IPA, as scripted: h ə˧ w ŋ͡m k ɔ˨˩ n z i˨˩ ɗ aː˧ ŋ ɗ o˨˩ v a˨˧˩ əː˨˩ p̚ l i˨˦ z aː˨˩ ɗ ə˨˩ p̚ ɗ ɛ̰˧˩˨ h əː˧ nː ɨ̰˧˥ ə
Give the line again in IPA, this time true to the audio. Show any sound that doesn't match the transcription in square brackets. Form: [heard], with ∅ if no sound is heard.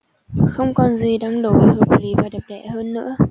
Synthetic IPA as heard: [x] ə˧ w ŋ͡m k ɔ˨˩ n z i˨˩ ɗ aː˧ ŋ ɗ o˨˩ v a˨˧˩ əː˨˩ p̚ l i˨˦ [v] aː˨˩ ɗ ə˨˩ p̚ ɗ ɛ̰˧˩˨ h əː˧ nː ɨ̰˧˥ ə